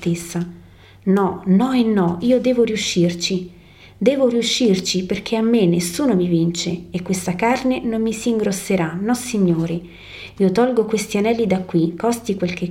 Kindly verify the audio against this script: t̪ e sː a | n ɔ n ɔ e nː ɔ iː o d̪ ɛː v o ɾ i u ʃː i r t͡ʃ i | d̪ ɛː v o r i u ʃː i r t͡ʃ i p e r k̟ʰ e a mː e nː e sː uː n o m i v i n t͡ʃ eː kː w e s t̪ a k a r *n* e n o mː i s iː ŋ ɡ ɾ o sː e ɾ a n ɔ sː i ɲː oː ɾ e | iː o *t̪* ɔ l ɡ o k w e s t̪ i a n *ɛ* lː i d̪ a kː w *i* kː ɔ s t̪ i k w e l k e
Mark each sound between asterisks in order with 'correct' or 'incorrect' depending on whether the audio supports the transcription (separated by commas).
correct, correct, correct, correct